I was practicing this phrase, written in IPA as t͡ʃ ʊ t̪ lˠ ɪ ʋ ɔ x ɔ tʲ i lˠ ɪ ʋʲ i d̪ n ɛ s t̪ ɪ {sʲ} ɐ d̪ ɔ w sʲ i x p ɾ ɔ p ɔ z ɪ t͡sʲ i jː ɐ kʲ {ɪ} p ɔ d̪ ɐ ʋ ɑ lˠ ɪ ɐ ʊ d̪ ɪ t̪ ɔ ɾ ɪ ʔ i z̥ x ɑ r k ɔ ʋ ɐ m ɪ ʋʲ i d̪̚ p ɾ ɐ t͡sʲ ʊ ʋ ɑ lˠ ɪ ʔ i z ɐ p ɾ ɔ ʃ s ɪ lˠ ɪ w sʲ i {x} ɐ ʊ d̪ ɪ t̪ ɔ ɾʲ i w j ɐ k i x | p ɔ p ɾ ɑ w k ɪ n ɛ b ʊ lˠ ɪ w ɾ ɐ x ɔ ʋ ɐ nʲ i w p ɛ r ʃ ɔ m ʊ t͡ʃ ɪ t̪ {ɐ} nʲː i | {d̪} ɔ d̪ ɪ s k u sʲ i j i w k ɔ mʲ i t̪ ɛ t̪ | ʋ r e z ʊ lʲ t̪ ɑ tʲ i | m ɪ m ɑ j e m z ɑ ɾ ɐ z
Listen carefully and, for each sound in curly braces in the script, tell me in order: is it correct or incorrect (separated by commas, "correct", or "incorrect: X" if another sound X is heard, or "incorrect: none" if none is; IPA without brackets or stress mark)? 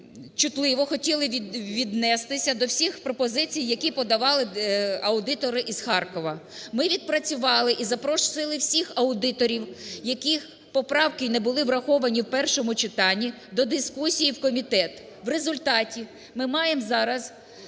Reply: correct, incorrect: i, correct, incorrect: ɑ, correct